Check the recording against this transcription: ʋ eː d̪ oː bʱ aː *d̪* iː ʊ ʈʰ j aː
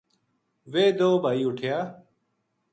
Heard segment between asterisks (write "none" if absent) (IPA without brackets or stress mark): none